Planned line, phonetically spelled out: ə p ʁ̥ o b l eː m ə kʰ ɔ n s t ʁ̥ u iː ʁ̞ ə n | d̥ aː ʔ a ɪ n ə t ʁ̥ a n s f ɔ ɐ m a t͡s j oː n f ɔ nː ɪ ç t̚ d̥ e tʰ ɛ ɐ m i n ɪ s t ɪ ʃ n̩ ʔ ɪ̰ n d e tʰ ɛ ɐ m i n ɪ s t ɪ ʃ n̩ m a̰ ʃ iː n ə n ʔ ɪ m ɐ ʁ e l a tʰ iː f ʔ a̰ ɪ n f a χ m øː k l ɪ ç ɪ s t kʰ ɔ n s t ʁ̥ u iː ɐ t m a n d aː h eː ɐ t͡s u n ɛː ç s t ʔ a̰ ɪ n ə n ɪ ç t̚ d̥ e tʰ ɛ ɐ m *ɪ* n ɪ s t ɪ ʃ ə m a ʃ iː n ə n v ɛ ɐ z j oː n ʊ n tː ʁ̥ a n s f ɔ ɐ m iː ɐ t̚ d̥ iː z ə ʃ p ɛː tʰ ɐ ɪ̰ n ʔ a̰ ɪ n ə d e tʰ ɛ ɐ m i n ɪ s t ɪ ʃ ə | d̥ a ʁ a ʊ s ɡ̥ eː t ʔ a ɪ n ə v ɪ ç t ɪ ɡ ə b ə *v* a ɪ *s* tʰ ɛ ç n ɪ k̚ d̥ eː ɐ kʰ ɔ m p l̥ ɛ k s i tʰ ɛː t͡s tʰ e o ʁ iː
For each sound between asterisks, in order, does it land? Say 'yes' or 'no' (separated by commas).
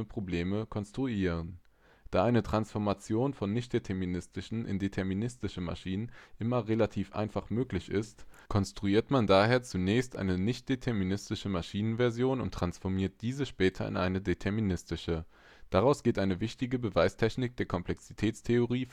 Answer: no, yes, yes